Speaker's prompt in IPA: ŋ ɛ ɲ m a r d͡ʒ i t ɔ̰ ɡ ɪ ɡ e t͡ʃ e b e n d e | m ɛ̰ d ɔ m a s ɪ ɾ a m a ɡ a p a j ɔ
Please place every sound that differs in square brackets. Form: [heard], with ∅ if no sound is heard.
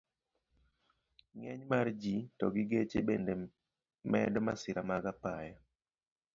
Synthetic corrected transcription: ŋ ɛ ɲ m a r d͡ʒ i t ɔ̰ ɡ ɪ ɡ e t͡ʃ e b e n d e | m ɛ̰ d ɔ m a s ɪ ɾ a m a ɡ a p a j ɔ